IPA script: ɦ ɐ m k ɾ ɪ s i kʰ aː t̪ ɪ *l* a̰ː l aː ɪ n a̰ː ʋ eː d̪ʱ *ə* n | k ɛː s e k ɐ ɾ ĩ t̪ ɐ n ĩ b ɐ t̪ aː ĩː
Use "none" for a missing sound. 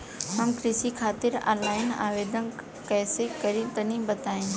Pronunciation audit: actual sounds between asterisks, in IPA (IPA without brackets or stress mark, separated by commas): ɾ, ə